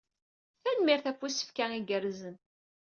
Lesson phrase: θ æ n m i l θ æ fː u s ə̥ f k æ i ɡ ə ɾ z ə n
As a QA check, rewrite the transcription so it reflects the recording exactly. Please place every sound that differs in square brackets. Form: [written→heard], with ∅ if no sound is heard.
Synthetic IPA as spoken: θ æ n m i [l→ɾ] θ æ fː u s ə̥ f k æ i ɡ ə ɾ z ə n